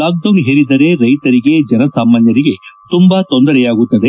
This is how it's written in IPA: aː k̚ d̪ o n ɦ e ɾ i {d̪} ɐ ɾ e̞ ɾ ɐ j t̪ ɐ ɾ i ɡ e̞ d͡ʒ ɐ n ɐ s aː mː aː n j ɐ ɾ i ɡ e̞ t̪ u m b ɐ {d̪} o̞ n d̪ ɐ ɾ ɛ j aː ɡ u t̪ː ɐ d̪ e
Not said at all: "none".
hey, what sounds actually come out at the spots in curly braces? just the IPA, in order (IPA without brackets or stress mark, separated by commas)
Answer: d̪, t̪